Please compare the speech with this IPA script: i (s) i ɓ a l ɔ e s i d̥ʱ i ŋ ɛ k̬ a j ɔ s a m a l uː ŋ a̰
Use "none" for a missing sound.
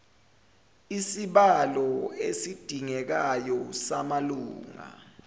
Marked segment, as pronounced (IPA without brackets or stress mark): s